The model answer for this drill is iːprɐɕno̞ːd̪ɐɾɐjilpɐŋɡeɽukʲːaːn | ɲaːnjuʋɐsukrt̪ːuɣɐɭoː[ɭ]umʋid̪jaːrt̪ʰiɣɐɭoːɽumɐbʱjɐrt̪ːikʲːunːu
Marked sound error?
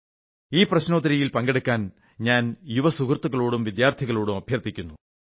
yes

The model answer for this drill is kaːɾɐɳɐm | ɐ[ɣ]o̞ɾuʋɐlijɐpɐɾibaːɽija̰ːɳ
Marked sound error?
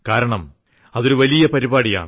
yes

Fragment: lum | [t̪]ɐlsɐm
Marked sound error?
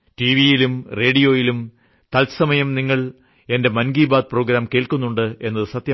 no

